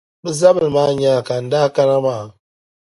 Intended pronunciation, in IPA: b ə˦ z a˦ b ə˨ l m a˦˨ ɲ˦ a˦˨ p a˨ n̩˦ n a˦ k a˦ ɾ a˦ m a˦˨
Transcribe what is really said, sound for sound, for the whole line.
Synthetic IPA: b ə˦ z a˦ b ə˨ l m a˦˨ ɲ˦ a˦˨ k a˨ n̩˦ d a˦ k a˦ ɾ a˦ m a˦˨